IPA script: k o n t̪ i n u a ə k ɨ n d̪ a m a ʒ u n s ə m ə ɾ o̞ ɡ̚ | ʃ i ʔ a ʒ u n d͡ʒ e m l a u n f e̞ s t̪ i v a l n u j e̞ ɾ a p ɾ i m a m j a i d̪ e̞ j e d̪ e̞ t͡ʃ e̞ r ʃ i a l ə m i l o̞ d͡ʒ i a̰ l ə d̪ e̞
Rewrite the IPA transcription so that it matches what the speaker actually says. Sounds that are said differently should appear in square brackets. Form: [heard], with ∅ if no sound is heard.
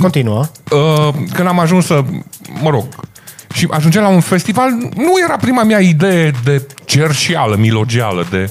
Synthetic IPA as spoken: k o n t̪ i n u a ə k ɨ n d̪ a m a ʒ u n s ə m ə ɾ o̞ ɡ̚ | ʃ i ʔ a ʒ u n d͡ʒ e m l a u n f e̞ s t̪ i v a l n u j e̞ ɾ a p ɾ i m a m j a i d̪ e̞ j e d̪ e̞ t͡ʃ e̞ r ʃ i a l ə m i l o̞ d͡ʒ i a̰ l ə d̪ e̞